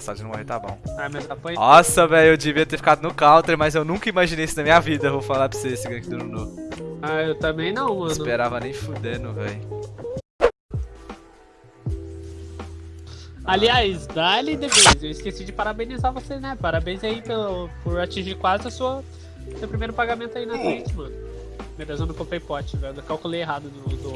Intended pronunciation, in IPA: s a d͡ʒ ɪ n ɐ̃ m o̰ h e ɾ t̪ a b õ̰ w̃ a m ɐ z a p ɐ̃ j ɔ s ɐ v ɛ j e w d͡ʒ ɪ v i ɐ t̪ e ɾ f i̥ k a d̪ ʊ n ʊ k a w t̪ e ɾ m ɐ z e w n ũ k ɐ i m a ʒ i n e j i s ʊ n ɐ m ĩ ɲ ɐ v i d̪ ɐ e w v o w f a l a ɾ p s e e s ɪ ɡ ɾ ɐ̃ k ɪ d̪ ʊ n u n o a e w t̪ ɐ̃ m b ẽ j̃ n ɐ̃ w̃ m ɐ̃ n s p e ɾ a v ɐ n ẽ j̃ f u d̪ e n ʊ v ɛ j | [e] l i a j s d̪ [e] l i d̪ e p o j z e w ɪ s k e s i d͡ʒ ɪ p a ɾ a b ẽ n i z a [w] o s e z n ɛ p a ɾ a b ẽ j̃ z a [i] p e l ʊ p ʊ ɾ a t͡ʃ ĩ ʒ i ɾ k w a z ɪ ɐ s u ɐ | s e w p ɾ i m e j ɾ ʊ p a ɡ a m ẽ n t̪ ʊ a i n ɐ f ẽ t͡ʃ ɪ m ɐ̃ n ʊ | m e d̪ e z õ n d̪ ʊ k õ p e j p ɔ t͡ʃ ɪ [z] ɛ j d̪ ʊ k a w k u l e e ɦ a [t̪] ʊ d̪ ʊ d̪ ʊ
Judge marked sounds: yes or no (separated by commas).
no, no, no, yes, no, no